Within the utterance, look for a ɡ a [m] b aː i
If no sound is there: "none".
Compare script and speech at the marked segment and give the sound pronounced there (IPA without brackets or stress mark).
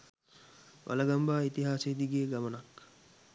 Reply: m